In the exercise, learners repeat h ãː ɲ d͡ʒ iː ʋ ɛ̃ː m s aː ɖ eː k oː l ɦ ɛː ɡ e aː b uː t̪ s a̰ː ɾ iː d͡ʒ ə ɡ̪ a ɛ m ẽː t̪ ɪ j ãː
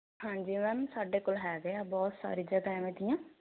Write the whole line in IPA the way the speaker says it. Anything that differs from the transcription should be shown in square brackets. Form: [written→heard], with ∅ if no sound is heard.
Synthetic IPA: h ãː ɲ d͡ʒ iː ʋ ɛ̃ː m s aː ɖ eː k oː l ɦ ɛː ɡ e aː b [uː→ɔː] t̪ s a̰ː ɾ iː d͡ʒ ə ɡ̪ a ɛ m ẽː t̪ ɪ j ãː